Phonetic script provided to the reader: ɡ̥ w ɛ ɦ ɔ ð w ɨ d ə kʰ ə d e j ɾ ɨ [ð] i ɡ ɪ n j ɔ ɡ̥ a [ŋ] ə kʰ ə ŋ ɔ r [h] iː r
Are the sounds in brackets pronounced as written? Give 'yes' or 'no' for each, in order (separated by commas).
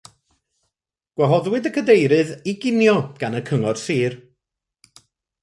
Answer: yes, no, no